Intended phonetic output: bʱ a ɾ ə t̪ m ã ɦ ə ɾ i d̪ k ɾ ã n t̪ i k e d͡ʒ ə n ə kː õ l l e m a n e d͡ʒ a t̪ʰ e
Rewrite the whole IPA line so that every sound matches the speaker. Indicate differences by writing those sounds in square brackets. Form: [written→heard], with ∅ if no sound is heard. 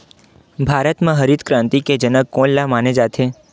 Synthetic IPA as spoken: bʱ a ɾ ə t̪ m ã ɦ ə ɾ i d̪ k ɾ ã n t̪ i k e d͡ʒ ə n ə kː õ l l [e→a] m a n e d͡ʒ a t̪ʰ e